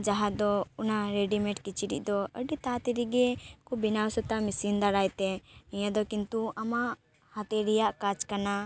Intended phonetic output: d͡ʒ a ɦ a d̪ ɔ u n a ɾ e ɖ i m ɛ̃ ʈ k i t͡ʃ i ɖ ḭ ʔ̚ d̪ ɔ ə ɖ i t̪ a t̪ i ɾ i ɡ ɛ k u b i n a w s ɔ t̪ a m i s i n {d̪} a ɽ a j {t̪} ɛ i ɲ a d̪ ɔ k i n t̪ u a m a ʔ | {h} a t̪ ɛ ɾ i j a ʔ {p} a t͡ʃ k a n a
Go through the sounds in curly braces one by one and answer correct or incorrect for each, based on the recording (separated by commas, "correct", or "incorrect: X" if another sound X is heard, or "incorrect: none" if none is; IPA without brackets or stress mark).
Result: correct, correct, correct, incorrect: k